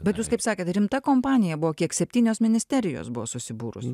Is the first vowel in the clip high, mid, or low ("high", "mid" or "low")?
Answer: mid